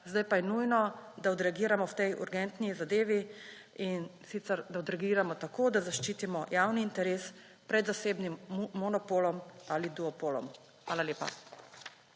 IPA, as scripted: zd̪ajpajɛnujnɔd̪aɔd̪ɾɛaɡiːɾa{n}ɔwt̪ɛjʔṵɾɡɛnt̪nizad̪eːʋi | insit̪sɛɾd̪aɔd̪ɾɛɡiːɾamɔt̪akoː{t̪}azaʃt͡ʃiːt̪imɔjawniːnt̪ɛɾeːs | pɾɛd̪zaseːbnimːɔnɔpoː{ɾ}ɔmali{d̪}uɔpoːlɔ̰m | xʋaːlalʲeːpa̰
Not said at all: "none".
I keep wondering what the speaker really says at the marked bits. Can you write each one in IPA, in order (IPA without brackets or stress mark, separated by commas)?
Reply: m, d̪, l, d̪